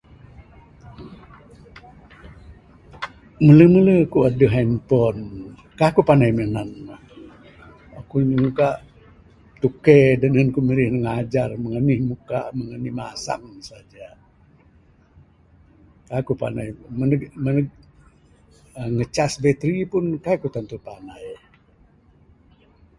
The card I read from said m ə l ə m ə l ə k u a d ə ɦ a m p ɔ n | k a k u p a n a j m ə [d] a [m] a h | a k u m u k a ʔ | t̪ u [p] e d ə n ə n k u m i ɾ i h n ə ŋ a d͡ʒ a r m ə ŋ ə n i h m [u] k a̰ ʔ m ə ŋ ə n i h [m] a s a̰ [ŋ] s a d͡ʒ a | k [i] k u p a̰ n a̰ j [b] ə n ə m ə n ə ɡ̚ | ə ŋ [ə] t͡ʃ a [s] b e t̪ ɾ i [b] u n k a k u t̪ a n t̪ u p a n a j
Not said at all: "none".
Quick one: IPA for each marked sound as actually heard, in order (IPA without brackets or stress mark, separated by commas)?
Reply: n, n, k, u, m, ŋ, a, m, ə, s, p